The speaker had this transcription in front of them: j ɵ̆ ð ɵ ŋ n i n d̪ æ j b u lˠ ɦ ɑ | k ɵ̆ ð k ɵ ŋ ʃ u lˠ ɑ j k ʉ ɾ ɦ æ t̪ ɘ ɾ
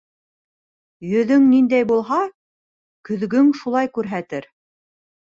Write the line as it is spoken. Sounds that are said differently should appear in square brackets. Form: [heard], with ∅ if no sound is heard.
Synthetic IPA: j ɵ̆ ð ɵ ŋ n i n d̪ æ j b u lˠ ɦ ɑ | k ɵ̆ ð [ɡ] ɵ ŋ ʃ u lˠ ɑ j k ʉ ɾ ɦ æ t̪ ɘ ɾ